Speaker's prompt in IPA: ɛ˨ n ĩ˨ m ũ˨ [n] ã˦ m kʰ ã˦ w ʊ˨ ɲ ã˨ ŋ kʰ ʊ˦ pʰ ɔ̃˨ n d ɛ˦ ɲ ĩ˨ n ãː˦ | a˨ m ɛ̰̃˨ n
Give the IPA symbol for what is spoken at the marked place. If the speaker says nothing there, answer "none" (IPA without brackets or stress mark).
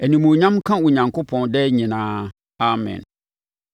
ɲ